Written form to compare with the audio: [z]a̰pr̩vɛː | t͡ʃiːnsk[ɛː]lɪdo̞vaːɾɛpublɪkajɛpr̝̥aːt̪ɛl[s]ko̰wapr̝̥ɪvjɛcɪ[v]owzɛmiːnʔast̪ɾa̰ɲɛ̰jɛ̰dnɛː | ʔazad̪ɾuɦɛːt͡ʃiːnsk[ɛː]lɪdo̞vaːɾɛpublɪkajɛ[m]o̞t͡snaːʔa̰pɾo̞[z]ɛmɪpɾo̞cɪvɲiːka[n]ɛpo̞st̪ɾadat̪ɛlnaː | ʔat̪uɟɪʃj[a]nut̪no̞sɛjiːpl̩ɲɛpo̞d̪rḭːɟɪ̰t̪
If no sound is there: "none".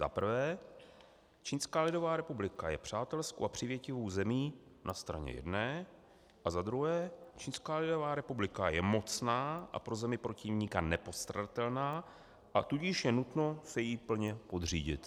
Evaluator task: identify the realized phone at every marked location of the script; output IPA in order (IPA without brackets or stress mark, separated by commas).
z, aː, s, v, aː, m, z, n, ɛ